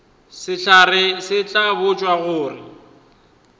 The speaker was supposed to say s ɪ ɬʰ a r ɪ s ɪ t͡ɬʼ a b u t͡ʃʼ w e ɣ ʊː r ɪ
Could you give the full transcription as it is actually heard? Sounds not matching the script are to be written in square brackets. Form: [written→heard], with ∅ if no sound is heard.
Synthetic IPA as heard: s ɪ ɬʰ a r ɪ s ɪ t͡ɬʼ a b [u→ʊ] t͡ʃʼ w [e→a] ɣ ʊː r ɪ